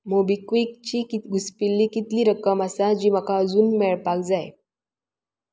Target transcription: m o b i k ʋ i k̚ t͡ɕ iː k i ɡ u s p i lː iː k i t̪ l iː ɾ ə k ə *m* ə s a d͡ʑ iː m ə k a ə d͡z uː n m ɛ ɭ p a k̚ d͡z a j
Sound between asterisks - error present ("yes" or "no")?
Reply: no